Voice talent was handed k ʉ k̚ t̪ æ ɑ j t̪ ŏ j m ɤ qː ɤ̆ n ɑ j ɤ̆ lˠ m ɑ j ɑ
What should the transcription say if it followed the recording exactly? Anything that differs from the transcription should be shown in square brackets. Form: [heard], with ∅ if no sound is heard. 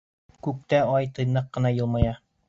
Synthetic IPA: k ʉ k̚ t̪ æ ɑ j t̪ [ɤ̆] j [n] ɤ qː ɤ̆ n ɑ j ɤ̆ lˠ m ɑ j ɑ